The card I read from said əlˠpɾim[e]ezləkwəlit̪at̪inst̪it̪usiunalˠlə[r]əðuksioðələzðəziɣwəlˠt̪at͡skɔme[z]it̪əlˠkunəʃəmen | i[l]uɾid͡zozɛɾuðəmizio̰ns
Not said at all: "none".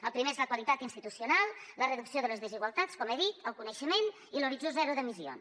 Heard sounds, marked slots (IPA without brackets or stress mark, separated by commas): e, r, ð, l